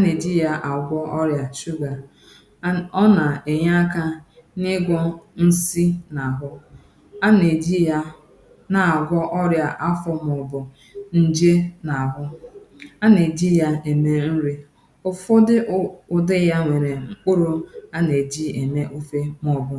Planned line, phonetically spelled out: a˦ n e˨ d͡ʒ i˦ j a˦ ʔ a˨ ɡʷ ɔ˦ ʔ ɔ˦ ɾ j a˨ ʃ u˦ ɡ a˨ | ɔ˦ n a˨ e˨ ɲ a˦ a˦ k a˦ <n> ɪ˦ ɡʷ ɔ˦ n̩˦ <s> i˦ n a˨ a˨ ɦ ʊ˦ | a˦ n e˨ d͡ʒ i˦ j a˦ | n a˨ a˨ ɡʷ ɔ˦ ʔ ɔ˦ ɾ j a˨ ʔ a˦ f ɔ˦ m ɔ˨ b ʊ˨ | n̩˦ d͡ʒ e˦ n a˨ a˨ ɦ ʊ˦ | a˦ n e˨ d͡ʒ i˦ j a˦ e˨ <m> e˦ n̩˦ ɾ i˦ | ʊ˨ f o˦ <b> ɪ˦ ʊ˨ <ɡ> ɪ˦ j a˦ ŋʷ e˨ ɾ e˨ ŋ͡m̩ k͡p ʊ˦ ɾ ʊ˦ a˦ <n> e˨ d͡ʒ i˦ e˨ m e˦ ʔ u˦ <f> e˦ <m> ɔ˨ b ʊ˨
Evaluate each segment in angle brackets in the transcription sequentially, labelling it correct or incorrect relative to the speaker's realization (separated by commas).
correct, correct, correct, incorrect, incorrect, correct, correct, correct